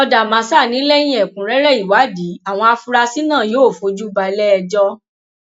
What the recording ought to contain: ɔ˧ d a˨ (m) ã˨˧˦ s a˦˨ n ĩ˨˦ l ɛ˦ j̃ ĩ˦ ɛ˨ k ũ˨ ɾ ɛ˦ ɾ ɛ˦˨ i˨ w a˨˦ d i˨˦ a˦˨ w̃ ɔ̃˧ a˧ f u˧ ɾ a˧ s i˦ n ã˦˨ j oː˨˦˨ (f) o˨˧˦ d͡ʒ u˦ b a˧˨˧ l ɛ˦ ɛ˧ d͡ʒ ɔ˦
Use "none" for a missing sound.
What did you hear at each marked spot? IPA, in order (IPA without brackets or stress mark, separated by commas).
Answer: m, f